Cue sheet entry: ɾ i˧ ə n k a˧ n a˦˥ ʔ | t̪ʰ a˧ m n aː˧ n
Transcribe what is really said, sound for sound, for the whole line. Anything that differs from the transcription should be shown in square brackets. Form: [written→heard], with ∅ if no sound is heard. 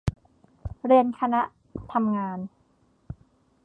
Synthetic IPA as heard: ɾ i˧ ə n [k→kʰ] a˧ n a˦˥ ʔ | t̪ʰ a˧ m [n→ŋ] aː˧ n